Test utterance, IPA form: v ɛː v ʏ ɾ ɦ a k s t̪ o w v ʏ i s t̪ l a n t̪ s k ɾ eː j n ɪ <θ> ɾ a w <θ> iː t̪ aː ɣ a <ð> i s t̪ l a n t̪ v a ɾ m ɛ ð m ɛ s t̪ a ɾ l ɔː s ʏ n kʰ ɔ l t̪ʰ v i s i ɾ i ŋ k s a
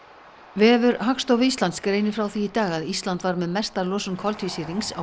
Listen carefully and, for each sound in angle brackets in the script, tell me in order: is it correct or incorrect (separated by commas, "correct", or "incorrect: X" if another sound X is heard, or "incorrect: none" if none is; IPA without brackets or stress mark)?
incorrect: f, correct, correct